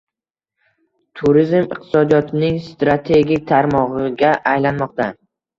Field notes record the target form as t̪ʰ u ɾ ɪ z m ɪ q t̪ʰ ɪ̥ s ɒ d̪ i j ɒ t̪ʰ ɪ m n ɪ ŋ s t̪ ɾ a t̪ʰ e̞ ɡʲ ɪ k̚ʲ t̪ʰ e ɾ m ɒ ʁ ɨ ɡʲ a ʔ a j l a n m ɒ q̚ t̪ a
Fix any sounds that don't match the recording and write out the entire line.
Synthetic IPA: t̪ʰ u ɾ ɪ z m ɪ q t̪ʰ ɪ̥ s ɒ d̪ i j ɒ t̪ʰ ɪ n ɪ ŋ s t̪ ɾ a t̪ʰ e̞ ɡʲ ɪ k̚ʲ t̪ʰ a ɾ m ɒ ʁ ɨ ɡʲ a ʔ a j l a n m ɒ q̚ t̪ a